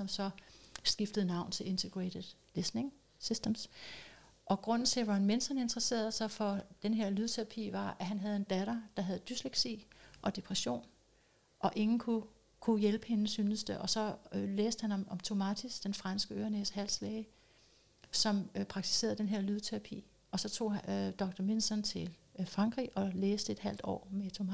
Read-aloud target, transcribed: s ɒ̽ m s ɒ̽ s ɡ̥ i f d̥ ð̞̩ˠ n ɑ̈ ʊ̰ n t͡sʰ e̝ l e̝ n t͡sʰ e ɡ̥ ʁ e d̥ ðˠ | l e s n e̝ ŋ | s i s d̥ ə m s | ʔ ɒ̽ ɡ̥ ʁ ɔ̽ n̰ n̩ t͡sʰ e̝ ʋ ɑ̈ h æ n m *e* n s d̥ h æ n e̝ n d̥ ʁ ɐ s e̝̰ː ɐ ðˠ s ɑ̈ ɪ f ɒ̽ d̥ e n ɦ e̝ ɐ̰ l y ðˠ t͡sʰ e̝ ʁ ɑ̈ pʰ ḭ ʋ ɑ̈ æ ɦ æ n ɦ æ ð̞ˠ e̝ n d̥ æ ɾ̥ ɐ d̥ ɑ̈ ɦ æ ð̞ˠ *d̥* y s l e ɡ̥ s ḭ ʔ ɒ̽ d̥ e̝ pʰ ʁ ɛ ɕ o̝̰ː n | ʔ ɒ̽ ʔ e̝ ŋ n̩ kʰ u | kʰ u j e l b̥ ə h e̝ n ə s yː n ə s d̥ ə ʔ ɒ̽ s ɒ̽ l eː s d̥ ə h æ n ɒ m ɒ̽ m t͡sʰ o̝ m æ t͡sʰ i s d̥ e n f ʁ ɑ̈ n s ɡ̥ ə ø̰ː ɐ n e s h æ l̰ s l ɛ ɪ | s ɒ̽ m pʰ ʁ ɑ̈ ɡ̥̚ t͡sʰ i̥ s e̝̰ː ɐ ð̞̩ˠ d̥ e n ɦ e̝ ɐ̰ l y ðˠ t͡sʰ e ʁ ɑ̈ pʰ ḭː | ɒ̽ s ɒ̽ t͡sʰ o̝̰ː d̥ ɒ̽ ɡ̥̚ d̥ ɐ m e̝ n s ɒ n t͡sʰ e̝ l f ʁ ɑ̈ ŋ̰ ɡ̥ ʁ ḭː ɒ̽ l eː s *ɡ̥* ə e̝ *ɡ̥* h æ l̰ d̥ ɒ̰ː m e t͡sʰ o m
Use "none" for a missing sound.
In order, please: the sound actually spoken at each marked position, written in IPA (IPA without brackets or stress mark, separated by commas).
e, d̥, d̥, d̥